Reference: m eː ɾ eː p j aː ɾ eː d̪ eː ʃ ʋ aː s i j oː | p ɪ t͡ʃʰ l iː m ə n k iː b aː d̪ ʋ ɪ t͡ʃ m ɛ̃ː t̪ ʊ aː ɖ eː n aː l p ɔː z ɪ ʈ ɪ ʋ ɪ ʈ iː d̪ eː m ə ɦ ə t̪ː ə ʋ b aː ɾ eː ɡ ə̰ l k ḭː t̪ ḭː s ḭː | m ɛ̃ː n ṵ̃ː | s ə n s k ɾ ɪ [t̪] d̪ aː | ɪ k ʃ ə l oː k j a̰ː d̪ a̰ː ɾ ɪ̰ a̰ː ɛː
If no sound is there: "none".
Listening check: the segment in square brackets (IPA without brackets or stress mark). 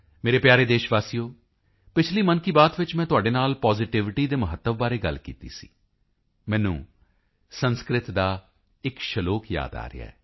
t̪